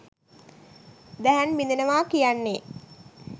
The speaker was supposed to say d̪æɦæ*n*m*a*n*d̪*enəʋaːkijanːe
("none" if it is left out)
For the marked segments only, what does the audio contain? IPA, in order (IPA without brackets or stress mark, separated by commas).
n, i, d̪